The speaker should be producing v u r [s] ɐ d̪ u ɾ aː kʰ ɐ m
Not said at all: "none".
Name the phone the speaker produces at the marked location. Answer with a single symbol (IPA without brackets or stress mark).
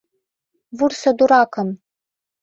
s